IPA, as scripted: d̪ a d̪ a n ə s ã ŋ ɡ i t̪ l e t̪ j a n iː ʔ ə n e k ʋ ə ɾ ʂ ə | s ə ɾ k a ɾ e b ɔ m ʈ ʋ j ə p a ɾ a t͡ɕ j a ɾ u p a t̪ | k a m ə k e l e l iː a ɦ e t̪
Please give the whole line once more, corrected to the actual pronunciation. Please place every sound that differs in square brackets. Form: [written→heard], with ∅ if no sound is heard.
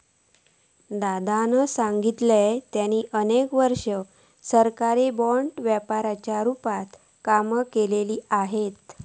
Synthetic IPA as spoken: d̪ a d̪ a n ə s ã ŋ ɡ i t̪ l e t̪ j a n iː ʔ ə n e k ʋ ə ɾ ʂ ə | s ə ɾ k a ɾ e b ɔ [m→ɳ] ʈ ʋ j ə p a ɾ a t͡ɕ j a ɾ u p a t̪ | k a m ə k e l e l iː a ɦ e t̪